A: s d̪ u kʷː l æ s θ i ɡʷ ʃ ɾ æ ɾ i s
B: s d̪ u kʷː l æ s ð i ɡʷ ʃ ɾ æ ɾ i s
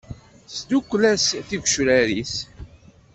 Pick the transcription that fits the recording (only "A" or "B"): A